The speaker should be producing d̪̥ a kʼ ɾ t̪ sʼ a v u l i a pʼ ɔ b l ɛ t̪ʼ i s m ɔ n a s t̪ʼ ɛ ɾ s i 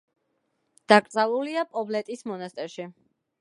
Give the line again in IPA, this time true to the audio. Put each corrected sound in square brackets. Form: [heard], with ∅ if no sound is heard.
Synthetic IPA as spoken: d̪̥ a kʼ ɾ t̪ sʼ a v u l i a pʼ ɔ b l ɛ t̪ʼ i s m ɔ n a s t̪ʼ ɛ ɾ [ʃ] i

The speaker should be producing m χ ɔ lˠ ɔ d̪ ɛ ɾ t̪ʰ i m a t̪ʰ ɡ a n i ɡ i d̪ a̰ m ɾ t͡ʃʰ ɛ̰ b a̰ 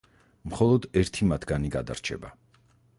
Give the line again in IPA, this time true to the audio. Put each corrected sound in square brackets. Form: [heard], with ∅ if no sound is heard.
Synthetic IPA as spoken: m χ ɔ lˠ ɔ d̪ ɛ ɾ t̪ʰ i m a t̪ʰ ɡ a n i ɡ [a] d̪ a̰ [∅] ɾ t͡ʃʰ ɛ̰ b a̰

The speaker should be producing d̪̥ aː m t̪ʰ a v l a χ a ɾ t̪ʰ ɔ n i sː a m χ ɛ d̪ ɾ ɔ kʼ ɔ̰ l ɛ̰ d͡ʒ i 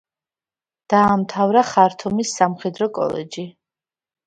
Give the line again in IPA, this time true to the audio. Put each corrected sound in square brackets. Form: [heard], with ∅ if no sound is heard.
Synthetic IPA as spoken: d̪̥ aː m t̪ʰ a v [ɾ] a χ a ɾ t̪ʰ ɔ [m] i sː a m χ ɛ d̪ ɾ ɔ kʼ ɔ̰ l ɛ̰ d͡ʒ i

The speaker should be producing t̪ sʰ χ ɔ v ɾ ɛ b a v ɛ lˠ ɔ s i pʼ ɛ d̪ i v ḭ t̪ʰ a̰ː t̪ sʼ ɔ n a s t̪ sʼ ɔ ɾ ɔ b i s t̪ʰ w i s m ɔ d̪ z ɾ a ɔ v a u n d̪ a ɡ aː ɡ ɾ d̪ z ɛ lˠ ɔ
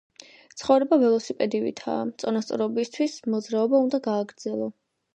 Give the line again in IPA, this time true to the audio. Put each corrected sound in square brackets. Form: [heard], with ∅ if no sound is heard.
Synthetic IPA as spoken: t̪ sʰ χ ɔ v ɾ ɛ b a v ɛ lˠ ɔ s i pʼ ɛ d̪ i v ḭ t̪ʰ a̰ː t̪ sʼ ɔ n a s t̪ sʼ ɔ ɾ ɔ b i s t̪ʰ w i s m ɔ d̪ z ɾ a ɔ [b] a u n d̪ a ɡ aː ɡ ɾ d̪ z ɛ lˠ ɔ

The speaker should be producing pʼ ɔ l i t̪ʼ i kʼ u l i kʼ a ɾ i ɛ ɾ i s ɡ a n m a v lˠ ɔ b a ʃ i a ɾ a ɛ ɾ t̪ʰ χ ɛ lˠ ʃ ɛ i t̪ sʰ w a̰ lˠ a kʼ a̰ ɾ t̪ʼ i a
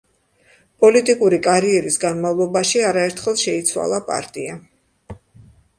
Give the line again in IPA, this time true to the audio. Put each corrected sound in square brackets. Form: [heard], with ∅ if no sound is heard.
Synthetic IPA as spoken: pʼ ɔ l i t̪ʼ i kʼ u [ɾ] i kʼ a ɾ i ɛ ɾ i s ɡ a n m a v lˠ ɔ b a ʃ i a ɾ a ɛ ɾ t̪ʰ χ ɛ lˠ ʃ ɛ i t̪ sʰ w a̰ lˠ a [pʼ] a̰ ɾ t̪ʼ i a

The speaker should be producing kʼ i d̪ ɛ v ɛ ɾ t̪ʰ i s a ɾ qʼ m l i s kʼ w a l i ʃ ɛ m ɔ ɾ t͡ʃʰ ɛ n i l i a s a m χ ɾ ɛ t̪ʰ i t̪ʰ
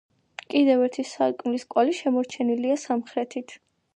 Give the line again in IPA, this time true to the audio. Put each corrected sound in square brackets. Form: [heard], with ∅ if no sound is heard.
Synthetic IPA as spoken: kʼ i d̪ ɛ v ɛ ɾ t̪ʰ i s a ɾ [kʼ] m l i s kʼ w a l i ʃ ɛ m ɔ ɾ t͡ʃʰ ɛ n i l i a s a m χ ɾ ɛ t̪ʰ i t̪ʰ

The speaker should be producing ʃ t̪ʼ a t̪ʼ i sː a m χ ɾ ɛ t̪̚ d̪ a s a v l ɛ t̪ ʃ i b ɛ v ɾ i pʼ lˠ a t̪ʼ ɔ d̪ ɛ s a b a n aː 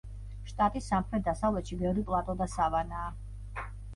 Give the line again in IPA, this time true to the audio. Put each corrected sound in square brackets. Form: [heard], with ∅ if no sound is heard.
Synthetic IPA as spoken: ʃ t̪ʼ a t̪ʼ i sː a m χ ɾ ɛ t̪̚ d̪ a s a v l ɛ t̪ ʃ i b ɛ v ɾ i pʼ lˠ a t̪ʼ ɔ d̪ [a] s a [v] a n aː

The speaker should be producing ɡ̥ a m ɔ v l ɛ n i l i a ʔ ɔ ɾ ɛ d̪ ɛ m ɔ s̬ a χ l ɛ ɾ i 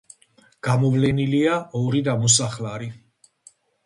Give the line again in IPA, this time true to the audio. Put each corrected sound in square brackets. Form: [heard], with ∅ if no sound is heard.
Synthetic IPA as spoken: ɡ̥ a m ɔ v l ɛ n i l i a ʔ ɔ ɾ [i] d̪ [a] m ɔ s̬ a χ l [a] ɾ i

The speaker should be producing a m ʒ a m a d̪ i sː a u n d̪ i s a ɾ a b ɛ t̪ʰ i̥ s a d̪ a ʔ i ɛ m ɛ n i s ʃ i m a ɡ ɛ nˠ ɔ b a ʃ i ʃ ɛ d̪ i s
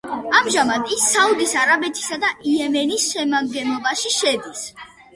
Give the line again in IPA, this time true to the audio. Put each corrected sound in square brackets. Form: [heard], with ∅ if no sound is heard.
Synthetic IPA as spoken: a m ʒ a m a d̪ i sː a u [∅] d̪ i s a ɾ a b ɛ t̪ʰ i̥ s a d̪ a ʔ i ɛ m ɛ n i s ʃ [ɛ] m a ɡ ɛ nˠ ɔ b a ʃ i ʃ ɛ d̪ i s

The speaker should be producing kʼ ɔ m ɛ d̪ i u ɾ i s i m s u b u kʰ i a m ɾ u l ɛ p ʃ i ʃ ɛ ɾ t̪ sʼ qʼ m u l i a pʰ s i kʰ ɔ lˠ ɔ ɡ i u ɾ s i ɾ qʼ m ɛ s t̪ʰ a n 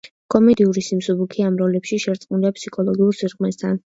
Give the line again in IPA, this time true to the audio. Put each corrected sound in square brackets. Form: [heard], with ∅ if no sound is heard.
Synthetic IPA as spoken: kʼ ɔ m ɛ d̪ i u ɾ i s i m s u b u kʰ i a m ɾ [ɔ] l ɛ p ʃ i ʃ ɛ ɾ t̪ sʼ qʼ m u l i a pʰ s i kʰ ɔ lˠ ɔ ɡ i u ɾ s i ɾ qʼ m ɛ s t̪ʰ a n

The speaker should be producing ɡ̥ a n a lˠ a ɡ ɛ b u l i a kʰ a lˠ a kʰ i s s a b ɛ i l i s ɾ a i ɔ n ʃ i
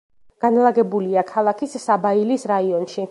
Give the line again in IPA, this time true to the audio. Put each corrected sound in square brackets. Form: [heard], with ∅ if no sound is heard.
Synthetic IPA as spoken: ɡ̥ a n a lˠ a ɡ ɛ b u l i a kʰ a lˠ a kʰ i s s a b [a] i l i s ɾ a i ɔ n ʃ i

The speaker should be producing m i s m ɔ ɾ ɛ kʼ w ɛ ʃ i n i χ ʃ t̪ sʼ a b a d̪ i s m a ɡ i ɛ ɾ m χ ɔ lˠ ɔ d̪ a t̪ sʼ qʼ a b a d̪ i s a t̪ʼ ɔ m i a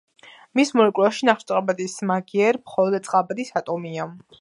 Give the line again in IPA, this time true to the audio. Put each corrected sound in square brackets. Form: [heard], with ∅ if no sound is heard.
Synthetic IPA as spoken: m i s m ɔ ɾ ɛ kʼ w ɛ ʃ i n [a] χ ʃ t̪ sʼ a b a d̪ i s m a ɡ i ɛ ɾ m χ ɔ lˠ ɔ d̪ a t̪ sʼ qʼ a b a d̪ i s a t̪ʼ ɔ m i a

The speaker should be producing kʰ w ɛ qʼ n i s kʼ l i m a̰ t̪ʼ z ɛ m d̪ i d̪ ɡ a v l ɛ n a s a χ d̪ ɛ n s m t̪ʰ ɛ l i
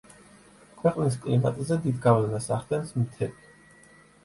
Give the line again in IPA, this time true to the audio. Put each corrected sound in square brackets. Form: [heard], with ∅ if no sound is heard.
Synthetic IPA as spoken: kʰ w ɛ qʼ n i s kʼ l i m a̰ t̪ʼ z ɛ [∅] d̪ i d̪ ɡ a v l ɛ n a s a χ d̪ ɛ n s m t̪ʰ ɛ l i

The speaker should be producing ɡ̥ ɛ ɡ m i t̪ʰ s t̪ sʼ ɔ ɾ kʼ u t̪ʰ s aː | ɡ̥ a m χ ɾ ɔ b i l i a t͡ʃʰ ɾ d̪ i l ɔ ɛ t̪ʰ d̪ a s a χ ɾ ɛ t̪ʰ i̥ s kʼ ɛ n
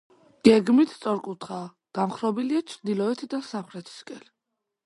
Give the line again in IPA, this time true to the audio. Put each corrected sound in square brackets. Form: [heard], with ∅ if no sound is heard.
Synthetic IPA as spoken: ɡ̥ ɛ ɡ m i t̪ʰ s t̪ sʼ ɔ ɾ kʼ u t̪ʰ [χ] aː | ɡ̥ a m χ ɾ ɔ b i l i a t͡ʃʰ ɾ d̪ i l ɔ ɛ t̪ʰ d̪ a s a χ ɾ ɛ t̪ʰ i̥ s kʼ ɛ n

